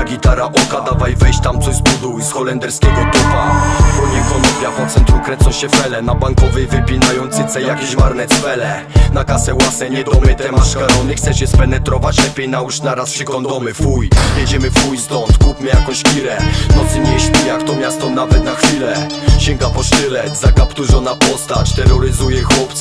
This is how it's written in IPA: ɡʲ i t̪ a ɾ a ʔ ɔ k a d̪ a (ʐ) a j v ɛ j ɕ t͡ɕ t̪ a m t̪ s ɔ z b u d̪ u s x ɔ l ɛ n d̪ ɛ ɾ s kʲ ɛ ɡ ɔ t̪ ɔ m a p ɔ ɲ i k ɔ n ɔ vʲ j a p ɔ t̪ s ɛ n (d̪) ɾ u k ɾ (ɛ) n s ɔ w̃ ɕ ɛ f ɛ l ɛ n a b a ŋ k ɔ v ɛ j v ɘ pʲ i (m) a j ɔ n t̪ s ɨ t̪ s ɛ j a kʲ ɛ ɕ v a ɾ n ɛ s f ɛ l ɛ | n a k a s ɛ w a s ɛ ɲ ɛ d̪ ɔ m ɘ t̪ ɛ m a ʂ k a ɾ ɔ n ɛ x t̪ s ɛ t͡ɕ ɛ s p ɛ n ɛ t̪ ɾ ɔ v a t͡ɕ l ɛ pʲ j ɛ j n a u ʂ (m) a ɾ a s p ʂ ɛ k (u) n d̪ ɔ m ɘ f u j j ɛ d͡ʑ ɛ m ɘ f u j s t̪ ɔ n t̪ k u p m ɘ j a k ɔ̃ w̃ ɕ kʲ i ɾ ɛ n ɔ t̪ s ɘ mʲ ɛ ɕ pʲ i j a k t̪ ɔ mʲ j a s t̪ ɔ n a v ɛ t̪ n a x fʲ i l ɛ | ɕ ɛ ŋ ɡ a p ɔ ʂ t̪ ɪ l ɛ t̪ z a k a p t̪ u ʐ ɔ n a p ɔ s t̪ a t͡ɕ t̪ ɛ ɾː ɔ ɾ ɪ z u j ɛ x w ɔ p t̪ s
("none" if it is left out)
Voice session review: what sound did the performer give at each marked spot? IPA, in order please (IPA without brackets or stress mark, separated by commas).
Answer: v, t̪, ɛ, n, n, ɔ